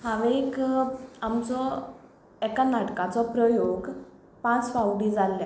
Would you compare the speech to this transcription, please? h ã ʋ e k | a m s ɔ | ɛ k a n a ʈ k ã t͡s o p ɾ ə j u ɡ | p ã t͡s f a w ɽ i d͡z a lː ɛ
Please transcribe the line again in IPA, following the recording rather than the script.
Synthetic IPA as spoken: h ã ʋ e k | a m t͡s ɔ | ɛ k a n a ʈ k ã t͡s ɔ p ɾ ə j o ɡ | p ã t͡s f a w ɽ i d͡z a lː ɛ